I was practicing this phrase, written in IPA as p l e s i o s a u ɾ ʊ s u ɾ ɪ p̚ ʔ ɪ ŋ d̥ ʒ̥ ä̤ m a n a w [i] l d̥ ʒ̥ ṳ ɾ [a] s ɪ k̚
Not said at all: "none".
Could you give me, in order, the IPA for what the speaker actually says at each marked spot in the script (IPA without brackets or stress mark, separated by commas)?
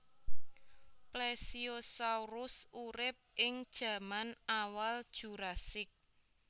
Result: a, a